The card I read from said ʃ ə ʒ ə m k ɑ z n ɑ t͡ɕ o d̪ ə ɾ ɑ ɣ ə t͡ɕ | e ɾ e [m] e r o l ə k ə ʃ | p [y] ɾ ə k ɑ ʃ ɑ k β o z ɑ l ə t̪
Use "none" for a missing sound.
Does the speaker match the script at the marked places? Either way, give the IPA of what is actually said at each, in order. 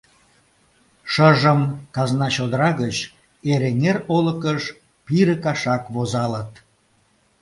ŋ, i

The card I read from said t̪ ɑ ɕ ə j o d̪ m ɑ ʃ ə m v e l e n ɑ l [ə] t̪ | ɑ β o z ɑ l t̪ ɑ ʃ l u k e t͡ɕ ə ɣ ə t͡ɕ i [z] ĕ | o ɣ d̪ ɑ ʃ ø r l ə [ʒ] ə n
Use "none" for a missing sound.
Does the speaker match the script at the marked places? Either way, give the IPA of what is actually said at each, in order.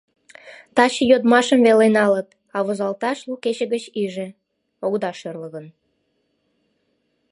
ə, ʒ, ɣ

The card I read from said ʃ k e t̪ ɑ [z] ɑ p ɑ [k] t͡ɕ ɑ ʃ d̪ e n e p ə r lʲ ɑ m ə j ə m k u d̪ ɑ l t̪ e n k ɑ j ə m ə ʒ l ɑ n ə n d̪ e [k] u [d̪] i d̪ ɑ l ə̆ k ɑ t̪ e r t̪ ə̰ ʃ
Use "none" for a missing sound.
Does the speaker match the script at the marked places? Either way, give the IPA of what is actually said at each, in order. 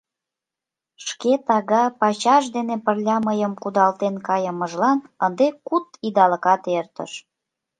ɣ, none, k, t̪

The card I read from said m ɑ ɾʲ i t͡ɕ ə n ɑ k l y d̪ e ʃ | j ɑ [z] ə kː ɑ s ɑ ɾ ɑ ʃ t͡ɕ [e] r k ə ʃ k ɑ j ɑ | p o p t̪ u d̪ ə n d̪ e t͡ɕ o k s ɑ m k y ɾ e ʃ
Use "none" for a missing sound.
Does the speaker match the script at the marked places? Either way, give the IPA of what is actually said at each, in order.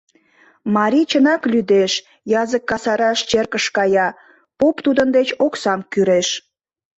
z, e

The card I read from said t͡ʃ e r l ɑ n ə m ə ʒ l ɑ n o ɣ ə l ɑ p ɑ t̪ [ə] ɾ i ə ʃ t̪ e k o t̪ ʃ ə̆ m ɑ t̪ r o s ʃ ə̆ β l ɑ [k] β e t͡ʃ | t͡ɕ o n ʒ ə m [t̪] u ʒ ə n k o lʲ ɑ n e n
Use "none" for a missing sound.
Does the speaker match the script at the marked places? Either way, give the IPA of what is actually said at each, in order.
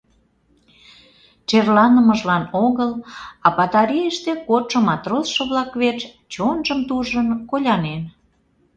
ɑ, k, t̪

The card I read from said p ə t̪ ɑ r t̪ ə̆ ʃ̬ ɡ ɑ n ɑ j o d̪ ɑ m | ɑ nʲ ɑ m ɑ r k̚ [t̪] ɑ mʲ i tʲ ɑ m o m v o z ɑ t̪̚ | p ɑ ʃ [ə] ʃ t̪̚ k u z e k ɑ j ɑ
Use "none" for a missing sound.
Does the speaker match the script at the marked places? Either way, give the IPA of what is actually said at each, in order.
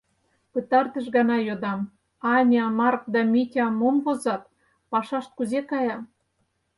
d̪, ɑ

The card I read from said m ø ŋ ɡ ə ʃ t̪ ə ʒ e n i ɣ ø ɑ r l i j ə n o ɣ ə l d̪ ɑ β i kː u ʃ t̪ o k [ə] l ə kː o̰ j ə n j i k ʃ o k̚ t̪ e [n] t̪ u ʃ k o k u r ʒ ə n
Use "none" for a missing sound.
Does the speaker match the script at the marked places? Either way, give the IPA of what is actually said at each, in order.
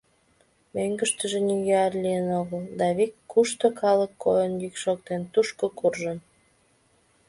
ɑ, n

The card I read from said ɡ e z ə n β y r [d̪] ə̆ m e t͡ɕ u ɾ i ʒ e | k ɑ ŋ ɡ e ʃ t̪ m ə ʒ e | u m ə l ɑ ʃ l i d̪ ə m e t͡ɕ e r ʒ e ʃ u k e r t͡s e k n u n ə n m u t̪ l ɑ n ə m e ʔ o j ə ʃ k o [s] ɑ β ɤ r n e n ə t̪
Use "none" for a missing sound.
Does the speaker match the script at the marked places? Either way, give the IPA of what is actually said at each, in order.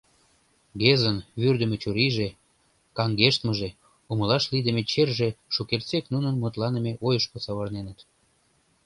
d̪, s

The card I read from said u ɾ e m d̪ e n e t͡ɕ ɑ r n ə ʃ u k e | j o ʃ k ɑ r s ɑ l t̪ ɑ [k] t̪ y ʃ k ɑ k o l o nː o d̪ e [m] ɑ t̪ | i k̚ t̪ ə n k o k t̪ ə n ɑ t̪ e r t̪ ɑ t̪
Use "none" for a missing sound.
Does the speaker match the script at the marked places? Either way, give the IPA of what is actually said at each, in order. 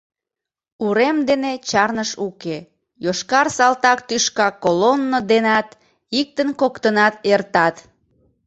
k, n

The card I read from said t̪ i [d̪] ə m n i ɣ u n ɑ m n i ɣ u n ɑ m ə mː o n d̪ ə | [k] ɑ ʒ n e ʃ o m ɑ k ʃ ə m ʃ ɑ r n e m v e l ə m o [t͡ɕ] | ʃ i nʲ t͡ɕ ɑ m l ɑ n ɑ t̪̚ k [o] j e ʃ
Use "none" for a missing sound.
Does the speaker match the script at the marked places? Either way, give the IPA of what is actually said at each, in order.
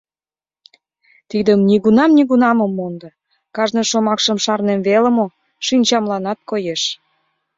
d̪, k, none, o

